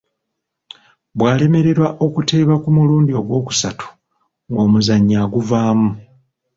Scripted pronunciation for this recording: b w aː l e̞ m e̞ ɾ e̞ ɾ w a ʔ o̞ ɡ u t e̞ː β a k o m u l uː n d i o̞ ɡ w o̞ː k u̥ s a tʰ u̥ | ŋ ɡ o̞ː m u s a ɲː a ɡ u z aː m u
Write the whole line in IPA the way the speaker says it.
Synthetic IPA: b w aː l e̞ m e̞ ɾ e̞ ɾ w a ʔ o̞ k u t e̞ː β a k u m u l uː n d i o̞ ɡ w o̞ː k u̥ s a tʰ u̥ | ŋ ɡ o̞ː m u z a ɲː a ɡ u v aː m u